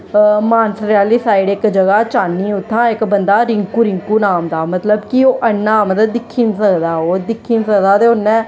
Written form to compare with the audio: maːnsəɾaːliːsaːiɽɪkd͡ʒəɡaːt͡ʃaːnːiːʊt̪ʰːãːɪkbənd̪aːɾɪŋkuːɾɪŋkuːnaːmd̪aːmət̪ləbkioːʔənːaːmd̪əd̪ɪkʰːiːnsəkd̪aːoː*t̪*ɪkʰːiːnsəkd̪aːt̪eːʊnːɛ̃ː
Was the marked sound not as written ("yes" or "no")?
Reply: yes